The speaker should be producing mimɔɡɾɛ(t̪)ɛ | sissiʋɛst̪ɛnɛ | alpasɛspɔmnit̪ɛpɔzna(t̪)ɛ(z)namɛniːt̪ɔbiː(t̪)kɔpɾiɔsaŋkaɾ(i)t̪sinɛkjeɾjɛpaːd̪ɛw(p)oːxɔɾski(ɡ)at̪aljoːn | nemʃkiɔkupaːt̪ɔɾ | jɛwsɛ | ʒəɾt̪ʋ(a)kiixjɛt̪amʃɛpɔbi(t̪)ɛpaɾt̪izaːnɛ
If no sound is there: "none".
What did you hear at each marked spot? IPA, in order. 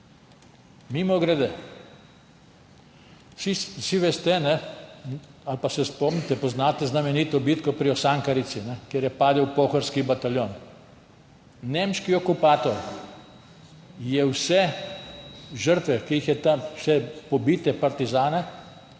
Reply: d̪, t̪, z, t̪, i, p, b, ɛ, t̪

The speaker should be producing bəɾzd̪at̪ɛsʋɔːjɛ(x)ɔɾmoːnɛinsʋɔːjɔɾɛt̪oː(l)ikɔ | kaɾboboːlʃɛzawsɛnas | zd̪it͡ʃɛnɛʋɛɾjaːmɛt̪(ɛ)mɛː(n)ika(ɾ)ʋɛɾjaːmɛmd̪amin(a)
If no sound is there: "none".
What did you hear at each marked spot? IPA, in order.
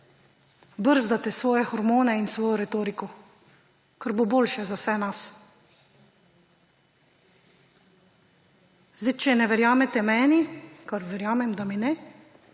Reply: x, ɾ, ɛ, n, ɾ, ɛ

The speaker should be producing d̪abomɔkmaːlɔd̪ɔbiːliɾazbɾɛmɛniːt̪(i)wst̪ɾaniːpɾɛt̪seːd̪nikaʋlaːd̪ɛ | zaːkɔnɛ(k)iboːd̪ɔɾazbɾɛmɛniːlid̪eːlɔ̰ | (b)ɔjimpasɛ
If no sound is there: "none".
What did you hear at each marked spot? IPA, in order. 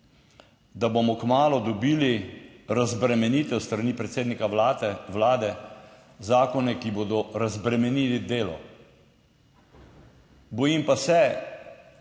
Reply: ɛ, k, b

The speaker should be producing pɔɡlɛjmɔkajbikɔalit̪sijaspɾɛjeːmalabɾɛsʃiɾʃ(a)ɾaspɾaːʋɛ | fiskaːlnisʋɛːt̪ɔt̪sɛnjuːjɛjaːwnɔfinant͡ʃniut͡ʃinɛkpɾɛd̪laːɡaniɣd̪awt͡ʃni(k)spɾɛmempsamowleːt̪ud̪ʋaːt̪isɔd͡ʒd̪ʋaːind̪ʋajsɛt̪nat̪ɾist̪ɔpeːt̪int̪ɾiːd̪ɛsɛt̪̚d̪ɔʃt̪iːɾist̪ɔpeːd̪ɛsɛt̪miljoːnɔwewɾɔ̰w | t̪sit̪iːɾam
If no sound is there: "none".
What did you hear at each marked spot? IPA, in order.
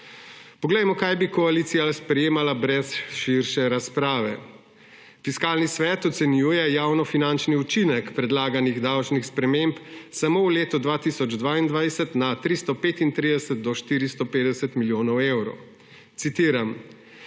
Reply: ɛ, x

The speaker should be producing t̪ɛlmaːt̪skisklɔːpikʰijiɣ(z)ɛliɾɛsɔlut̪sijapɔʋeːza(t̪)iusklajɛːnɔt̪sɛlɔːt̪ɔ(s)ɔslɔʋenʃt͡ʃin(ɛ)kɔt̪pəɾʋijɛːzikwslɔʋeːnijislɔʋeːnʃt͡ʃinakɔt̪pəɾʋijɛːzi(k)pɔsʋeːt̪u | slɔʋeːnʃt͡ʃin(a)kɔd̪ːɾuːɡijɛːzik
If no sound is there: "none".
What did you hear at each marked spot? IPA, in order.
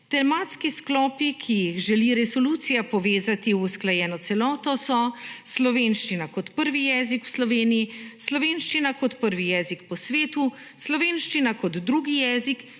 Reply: ʒ, t̪, s, a, k, a

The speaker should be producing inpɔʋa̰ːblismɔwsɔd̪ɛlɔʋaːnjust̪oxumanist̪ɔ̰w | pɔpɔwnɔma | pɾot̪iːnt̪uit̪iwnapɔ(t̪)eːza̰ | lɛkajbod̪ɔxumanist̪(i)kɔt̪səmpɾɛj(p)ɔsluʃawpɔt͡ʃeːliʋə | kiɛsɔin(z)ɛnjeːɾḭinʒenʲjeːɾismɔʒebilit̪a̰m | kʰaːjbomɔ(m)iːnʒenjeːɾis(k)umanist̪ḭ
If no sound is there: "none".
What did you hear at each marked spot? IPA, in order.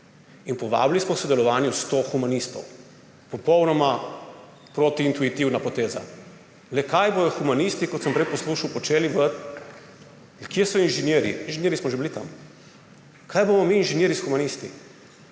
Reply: t̪, i, p, ʒ, m, x

